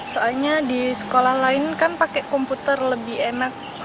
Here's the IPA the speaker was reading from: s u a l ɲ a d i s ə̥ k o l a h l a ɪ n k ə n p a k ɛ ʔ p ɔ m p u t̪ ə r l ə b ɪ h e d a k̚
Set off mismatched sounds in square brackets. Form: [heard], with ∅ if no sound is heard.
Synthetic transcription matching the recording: s [o] a l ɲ a d i s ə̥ k o l a h l a ɪ n k [a] n p a k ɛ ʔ [k] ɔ m p u t̪ ə r l ə b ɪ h e [n] a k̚